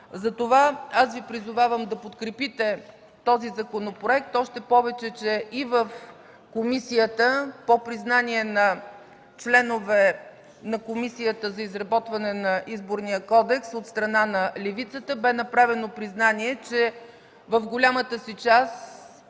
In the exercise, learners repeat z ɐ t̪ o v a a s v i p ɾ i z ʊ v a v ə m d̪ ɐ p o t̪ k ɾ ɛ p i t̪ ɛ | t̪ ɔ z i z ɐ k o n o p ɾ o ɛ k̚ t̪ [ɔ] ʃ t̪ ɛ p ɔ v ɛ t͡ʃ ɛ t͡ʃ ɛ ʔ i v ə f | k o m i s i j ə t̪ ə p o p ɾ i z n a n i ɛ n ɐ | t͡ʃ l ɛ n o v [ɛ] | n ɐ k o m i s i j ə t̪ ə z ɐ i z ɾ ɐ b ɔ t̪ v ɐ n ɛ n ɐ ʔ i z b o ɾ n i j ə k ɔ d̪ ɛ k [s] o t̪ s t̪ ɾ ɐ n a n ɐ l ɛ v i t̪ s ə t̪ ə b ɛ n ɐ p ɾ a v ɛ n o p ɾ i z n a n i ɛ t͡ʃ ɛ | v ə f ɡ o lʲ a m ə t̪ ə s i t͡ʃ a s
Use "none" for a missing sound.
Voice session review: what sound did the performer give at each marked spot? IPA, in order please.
ɔ, ɛ, s

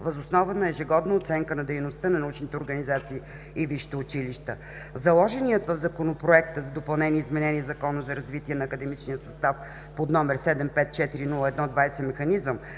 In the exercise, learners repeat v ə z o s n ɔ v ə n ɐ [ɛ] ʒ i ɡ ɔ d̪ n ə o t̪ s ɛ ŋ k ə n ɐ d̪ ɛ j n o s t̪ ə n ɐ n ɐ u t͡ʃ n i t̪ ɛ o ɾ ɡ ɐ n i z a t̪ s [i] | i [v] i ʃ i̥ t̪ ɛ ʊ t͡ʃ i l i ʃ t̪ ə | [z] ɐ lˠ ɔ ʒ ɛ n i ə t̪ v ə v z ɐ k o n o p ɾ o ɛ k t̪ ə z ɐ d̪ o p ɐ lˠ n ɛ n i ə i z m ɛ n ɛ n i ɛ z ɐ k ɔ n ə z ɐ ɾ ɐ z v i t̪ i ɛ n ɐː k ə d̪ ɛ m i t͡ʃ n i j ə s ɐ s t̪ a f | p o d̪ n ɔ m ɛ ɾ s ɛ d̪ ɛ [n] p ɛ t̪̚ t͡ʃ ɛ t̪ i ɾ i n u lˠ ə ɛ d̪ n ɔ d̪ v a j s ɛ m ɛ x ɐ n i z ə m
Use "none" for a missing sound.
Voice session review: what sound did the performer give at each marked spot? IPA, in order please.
ɛ, iː, v, z, m

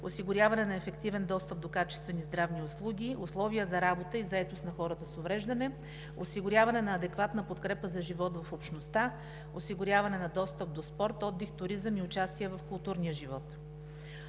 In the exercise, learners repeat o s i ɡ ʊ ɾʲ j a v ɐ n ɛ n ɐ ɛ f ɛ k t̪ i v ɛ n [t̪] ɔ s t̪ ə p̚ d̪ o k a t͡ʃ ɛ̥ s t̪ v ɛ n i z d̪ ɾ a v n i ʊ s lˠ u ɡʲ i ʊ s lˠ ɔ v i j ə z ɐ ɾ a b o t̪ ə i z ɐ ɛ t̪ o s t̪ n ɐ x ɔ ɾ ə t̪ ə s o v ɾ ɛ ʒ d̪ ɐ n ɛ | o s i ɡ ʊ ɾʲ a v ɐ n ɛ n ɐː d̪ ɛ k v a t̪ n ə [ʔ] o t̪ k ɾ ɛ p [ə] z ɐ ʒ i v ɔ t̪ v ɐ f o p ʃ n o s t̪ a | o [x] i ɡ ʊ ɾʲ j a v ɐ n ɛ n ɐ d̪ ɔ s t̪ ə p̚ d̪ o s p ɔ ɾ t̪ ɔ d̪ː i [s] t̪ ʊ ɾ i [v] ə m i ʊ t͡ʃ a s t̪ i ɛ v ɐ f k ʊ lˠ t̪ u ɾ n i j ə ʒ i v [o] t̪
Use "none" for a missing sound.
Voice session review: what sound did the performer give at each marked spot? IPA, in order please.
d̪, p, ə, s, x, z, ɔ

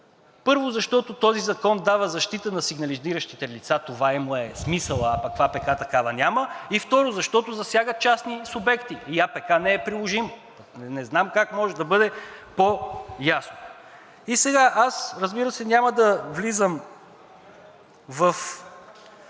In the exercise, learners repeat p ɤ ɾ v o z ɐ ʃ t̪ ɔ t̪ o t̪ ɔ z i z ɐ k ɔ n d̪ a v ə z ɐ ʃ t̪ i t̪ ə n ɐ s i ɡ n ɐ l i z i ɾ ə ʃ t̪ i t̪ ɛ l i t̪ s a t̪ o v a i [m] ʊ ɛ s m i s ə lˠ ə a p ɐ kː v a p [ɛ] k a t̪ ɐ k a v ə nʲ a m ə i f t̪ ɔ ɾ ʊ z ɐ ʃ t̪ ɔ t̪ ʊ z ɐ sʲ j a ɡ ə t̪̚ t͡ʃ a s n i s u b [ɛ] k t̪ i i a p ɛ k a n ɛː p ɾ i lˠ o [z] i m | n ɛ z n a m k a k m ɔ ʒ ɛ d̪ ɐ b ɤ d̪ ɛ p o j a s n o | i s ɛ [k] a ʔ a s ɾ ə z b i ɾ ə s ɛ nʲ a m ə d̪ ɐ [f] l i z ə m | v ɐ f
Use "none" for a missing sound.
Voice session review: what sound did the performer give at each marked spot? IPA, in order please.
m, ɛ, ɛ, ʒ, ɡ, v

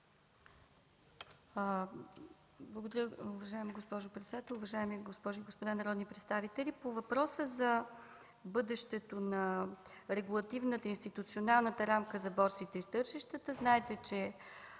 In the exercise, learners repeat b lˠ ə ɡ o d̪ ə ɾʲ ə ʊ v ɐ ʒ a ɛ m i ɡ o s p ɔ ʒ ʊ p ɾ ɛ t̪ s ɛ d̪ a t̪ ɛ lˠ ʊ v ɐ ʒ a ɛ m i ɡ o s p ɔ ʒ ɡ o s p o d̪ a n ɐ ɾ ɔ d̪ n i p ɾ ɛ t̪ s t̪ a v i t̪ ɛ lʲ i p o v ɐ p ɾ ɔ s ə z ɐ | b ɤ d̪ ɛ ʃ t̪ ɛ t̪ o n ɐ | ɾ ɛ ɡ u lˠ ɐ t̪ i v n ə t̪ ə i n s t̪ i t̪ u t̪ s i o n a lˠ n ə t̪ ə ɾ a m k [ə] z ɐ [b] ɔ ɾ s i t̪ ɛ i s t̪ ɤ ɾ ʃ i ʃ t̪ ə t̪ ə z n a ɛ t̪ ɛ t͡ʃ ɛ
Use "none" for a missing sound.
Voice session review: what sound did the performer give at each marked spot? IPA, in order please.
ə, b

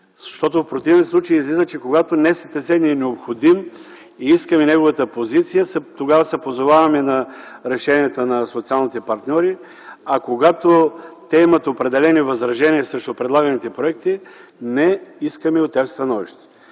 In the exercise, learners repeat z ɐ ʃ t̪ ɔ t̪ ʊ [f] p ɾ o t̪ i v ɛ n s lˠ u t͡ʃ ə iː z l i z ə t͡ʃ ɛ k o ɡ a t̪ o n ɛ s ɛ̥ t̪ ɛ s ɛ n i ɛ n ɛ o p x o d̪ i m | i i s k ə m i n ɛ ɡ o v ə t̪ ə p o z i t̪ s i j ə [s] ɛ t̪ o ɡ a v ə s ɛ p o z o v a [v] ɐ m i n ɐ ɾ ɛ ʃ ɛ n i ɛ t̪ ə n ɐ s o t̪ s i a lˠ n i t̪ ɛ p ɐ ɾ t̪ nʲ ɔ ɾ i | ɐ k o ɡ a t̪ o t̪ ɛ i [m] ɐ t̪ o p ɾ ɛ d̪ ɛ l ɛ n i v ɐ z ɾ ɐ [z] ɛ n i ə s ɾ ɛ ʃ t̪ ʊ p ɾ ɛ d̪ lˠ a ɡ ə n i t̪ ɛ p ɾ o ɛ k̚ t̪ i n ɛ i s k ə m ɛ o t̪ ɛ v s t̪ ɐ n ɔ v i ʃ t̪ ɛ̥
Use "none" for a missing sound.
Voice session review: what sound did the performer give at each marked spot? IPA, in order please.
f, s, v, m, ʒ

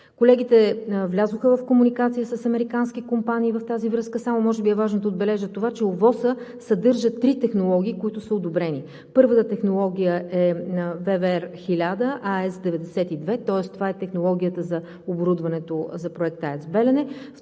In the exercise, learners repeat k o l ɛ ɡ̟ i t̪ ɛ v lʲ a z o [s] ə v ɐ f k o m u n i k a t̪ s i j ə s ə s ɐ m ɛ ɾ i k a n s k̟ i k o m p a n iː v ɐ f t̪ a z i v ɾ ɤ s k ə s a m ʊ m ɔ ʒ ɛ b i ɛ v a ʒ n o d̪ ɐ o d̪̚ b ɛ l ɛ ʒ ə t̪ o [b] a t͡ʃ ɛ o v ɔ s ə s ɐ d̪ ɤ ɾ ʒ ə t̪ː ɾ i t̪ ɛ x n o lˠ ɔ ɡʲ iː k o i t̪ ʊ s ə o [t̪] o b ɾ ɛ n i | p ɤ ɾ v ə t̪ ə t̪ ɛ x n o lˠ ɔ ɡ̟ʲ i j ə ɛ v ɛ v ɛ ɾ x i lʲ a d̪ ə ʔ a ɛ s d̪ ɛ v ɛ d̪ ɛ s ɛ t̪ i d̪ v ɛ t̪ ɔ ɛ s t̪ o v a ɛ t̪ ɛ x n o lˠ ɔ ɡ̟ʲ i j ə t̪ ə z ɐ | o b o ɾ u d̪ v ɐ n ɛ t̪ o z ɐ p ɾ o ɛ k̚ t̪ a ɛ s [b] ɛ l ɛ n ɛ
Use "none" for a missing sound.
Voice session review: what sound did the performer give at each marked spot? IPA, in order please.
x, v, d̪, b

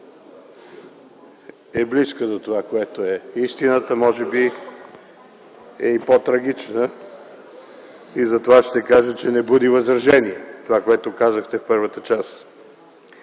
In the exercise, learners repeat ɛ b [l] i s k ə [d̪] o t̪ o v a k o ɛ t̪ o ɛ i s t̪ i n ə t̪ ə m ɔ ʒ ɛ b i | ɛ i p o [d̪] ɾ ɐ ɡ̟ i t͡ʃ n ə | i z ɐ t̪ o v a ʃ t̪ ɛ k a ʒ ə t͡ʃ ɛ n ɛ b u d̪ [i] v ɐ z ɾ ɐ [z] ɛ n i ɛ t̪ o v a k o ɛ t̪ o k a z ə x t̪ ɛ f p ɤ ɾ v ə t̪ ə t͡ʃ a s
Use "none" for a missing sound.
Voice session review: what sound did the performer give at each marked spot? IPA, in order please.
l, d̪, t̪, i, ʒ

